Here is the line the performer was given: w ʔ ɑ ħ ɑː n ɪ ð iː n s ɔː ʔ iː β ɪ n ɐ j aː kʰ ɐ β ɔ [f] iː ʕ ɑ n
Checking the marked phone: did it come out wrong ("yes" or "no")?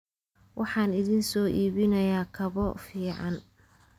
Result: no